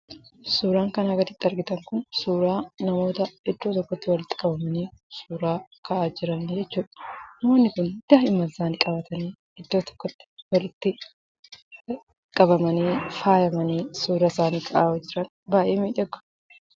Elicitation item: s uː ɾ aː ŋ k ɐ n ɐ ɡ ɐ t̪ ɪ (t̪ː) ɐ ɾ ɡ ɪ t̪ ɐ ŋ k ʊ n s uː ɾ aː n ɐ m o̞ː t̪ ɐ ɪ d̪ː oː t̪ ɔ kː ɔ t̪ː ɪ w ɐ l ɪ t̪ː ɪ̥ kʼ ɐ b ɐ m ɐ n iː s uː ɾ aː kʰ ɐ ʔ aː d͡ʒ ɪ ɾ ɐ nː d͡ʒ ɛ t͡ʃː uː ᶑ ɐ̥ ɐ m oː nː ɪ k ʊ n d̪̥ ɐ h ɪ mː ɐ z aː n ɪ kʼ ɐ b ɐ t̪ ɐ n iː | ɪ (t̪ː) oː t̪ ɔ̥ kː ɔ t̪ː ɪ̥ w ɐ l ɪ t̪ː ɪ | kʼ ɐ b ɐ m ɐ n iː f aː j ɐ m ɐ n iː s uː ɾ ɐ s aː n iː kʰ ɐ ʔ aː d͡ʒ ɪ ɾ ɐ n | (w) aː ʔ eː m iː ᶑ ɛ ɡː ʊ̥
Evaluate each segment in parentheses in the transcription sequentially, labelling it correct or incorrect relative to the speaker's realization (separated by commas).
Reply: correct, incorrect, incorrect